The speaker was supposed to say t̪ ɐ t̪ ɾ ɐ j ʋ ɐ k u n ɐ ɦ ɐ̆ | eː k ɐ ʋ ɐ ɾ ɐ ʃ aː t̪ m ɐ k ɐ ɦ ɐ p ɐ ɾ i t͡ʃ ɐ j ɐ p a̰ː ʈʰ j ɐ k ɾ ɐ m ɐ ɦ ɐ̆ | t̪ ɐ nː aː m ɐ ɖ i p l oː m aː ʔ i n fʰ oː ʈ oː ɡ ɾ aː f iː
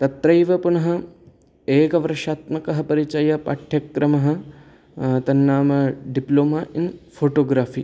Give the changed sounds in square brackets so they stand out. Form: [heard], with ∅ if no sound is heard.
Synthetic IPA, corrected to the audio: t̪ ɐ t̪ ɾ ɐ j ʋ ɐ [p] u n ɐ ɦ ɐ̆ | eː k ɐ ʋ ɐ ɾ ɐ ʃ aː t̪ m ɐ k ɐ ɦ ɐ p ɐ ɾ i t͡ʃ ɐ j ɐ p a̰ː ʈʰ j ɐ k ɾ ɐ m ɐ ɦ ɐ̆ | t̪ ɐ nː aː m ɐ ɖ i p l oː m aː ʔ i n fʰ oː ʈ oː ɡ ɾ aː f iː